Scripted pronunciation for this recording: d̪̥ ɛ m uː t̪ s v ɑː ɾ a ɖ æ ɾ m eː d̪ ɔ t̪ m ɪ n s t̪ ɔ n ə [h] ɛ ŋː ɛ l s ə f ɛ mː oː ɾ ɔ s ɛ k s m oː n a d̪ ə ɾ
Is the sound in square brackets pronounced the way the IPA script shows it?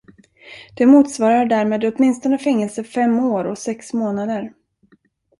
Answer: no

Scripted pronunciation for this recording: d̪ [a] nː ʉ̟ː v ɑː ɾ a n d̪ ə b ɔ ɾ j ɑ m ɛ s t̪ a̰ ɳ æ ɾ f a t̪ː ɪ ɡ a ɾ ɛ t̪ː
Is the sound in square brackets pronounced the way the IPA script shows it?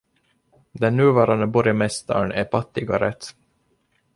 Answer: no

